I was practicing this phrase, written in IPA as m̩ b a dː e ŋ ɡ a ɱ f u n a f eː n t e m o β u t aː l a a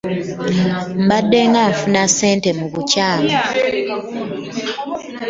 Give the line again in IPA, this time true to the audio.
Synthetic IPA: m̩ b a dː e ŋ ɡ a ɱ f u n a s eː n t e m u β u c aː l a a